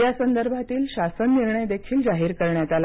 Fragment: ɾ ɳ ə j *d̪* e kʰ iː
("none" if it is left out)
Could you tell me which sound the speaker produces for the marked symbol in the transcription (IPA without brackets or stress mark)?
d̪